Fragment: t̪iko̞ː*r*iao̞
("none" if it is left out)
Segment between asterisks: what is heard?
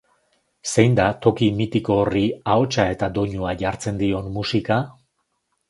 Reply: r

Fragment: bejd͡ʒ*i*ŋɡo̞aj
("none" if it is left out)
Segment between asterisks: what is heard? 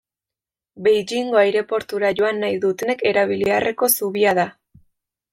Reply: i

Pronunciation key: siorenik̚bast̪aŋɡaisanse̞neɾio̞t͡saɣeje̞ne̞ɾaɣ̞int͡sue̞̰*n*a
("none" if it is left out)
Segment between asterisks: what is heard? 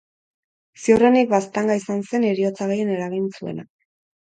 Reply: n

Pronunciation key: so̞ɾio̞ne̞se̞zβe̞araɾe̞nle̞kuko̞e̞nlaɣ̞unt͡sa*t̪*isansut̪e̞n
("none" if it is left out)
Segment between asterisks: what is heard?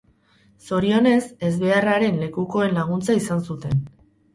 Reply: none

